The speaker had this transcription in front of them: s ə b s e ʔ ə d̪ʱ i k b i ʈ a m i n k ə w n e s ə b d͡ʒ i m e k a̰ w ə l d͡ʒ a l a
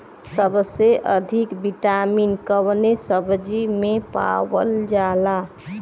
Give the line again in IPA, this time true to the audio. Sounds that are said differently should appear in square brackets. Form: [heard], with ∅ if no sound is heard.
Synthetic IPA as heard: s ə b s e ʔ ə d̪ʱ i k b i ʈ a m i n k ə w n e s ə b d͡ʒ i m e [p] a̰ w ə l d͡ʒ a l a